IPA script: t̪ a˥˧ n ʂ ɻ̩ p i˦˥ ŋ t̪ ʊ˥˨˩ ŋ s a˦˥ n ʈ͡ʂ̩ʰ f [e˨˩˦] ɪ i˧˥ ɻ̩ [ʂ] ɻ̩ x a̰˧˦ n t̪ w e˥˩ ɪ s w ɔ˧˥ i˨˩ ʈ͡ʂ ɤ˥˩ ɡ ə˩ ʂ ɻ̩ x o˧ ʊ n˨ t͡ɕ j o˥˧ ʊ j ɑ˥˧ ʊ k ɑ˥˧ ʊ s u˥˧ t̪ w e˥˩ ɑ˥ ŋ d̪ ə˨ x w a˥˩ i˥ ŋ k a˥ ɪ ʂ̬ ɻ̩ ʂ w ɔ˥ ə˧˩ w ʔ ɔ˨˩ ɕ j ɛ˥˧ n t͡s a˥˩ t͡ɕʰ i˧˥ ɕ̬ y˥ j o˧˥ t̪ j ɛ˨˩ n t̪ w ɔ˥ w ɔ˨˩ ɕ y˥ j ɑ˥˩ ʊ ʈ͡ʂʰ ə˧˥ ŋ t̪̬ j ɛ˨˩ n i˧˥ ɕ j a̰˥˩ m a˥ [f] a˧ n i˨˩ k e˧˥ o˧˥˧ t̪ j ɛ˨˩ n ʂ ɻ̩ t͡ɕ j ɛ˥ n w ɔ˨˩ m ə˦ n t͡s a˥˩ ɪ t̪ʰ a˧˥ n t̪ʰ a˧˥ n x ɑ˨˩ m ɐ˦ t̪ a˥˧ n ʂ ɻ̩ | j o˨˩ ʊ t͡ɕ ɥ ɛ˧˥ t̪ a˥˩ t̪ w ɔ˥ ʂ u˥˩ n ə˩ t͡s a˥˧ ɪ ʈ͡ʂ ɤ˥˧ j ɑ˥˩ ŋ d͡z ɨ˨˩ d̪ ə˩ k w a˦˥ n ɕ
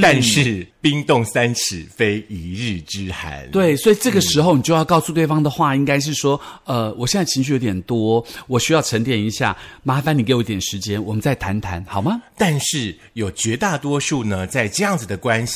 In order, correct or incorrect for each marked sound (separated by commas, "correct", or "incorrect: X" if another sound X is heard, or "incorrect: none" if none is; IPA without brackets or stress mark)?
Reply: incorrect: e˥, incorrect: ʈ͡ʂ, correct